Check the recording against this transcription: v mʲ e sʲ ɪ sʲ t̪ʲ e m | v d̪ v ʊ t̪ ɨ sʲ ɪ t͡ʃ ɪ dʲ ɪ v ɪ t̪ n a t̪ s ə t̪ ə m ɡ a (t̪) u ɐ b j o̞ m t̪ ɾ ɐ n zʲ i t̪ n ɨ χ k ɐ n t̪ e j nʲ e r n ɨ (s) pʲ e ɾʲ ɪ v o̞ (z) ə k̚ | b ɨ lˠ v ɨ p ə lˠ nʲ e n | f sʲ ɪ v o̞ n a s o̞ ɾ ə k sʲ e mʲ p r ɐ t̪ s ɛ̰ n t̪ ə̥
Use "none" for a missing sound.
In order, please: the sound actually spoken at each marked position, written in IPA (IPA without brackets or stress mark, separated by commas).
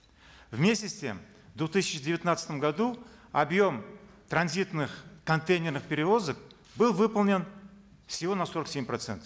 d̪, χ, z